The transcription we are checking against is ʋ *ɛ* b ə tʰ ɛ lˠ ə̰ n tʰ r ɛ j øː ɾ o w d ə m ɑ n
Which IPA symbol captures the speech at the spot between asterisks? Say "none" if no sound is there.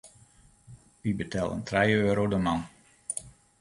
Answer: i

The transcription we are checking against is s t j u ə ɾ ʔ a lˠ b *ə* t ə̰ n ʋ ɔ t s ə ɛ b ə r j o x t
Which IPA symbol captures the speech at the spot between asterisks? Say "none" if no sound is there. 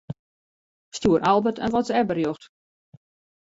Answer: ə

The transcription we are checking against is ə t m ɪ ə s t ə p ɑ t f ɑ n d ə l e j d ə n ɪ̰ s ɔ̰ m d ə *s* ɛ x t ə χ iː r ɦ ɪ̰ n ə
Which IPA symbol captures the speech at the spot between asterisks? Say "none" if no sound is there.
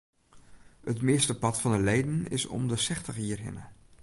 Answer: s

